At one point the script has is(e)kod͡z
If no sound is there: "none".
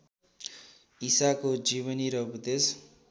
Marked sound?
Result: a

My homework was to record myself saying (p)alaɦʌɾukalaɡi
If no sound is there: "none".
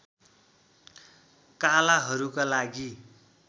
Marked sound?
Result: k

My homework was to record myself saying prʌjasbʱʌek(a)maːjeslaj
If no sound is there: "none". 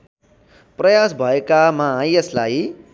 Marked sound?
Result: a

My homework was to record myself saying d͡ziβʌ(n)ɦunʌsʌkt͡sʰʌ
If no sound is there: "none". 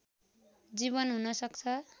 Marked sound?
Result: n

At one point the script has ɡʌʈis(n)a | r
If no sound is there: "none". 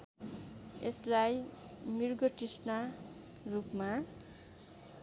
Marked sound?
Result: n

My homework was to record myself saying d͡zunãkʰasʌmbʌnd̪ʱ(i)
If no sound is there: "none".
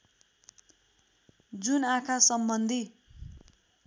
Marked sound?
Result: i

